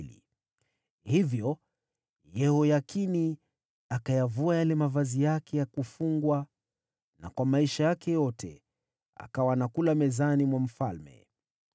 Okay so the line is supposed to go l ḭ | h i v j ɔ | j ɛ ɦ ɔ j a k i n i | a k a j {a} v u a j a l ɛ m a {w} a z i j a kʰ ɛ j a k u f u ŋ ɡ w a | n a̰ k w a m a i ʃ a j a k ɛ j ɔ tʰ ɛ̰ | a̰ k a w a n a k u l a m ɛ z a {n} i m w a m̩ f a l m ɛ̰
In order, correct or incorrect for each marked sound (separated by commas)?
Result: correct, incorrect, correct